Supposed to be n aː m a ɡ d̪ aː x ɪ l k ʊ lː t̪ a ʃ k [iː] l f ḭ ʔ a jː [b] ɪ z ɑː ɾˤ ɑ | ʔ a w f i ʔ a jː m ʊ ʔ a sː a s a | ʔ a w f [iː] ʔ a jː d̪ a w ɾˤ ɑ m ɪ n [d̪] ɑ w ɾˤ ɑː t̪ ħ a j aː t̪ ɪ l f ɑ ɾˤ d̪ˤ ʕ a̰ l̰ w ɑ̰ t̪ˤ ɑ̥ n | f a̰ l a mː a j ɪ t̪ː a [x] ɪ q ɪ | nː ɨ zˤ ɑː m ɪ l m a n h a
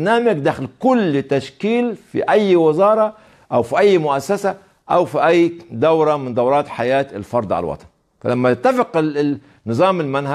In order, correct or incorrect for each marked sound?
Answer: correct, incorrect, incorrect, correct, incorrect

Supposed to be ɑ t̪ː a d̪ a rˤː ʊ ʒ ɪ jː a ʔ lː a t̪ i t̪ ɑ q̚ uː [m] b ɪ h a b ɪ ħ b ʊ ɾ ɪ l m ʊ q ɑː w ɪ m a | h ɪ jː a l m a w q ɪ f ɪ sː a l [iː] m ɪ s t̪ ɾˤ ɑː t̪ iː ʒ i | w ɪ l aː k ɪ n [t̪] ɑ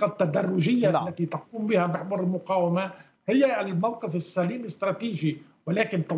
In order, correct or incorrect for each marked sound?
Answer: correct, correct, correct

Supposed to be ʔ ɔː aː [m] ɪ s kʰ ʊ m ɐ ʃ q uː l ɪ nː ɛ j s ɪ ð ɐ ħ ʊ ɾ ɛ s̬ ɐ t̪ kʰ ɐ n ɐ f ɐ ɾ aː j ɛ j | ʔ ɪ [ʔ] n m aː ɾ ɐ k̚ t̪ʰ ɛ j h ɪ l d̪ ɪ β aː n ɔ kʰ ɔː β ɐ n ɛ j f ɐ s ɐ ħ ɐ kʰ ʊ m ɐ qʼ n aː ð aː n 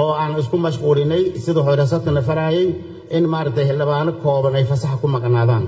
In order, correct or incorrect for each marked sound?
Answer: incorrect, incorrect

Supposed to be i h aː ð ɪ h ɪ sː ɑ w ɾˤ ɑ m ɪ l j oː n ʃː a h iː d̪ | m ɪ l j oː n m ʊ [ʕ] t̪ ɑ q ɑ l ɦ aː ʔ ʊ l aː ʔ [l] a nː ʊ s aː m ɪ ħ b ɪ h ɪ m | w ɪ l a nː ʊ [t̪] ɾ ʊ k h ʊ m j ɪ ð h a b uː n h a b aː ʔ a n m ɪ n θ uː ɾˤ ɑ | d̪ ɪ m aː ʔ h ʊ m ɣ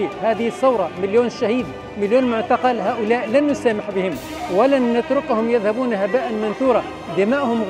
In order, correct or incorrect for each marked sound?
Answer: correct, correct, correct

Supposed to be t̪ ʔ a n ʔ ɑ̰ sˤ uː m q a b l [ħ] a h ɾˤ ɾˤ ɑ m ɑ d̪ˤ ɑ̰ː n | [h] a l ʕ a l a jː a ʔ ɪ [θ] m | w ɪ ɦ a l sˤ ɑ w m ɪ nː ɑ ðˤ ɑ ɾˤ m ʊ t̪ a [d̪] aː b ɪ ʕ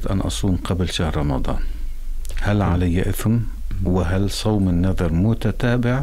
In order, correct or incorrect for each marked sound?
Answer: incorrect, correct, correct, incorrect

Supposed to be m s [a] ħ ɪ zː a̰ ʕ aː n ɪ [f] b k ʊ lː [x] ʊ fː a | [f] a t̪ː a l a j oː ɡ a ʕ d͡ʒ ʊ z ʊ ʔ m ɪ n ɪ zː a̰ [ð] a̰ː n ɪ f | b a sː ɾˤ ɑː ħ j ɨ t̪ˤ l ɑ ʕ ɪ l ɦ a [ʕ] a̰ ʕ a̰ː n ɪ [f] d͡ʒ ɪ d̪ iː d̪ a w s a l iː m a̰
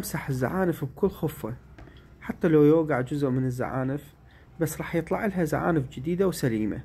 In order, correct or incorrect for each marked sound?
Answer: correct, correct, correct, incorrect, incorrect, incorrect, correct

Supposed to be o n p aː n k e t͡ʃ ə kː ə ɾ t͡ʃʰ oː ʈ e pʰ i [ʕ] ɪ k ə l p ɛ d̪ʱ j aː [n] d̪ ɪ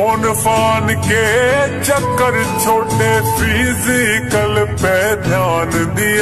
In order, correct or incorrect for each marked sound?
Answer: incorrect, correct

